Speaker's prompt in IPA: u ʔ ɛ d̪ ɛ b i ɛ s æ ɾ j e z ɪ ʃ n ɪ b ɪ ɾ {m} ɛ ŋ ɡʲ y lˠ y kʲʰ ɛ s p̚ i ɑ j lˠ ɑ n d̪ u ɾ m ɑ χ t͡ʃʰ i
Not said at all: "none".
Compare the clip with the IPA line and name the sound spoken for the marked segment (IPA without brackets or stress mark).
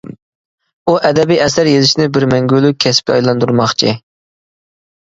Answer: m